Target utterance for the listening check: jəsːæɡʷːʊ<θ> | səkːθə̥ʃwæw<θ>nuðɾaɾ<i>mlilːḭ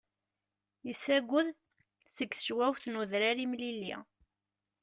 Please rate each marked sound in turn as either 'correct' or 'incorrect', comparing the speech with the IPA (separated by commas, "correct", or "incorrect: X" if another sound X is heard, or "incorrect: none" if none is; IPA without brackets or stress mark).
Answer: incorrect: ð, correct, correct